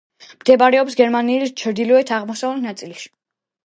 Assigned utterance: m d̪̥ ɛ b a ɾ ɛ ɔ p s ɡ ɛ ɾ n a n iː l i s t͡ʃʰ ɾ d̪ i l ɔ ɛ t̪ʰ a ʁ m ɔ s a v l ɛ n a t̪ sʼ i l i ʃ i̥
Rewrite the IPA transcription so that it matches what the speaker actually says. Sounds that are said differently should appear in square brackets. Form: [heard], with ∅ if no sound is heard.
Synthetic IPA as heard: m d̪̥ ɛ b a ɾ ɛ ɔ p s ɡ ɛ ɾ [m] a n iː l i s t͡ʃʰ ɾ d̪ i l ɔ ɛ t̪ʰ a ʁ m ɔ s a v l [i] n a t̪ sʼ i l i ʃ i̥